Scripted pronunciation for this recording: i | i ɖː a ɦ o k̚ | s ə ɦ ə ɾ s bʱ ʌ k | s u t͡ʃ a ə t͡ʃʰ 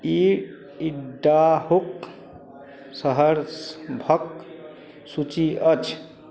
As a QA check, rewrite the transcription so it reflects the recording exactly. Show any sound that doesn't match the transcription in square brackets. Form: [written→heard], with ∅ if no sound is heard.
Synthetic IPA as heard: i | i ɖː a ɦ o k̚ | s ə ɦ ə ɾ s bʱ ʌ k | s u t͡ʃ [a→i] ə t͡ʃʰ